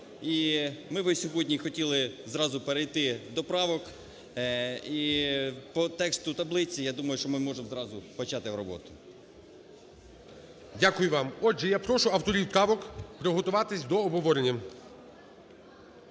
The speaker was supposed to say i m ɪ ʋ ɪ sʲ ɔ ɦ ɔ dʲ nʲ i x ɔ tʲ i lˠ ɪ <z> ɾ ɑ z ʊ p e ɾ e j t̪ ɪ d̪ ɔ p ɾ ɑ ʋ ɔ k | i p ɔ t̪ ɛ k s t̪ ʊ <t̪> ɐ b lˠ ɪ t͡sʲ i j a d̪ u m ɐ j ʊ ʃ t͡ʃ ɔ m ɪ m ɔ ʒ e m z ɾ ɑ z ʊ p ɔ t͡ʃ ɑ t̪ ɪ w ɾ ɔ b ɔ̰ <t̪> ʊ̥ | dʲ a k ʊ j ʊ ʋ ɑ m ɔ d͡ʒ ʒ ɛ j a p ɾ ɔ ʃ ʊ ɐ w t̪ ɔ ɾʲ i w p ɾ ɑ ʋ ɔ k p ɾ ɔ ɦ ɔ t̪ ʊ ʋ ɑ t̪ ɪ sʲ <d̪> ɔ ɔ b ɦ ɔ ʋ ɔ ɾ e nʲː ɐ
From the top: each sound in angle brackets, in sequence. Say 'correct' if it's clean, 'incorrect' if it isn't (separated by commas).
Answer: correct, correct, correct, correct